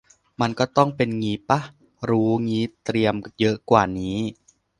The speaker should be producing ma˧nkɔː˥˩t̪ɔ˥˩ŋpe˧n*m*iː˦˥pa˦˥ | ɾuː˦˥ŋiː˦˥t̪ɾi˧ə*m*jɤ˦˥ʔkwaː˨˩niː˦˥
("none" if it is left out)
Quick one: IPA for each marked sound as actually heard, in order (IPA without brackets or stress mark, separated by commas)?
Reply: ŋ, m